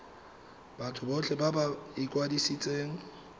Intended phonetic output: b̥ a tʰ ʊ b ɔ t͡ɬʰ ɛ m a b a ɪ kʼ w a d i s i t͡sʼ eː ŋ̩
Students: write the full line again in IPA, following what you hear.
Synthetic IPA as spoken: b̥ a tʰ ʊ b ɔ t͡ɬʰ ɛ b a b a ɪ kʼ w a d i s i t͡sʼ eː ŋ̩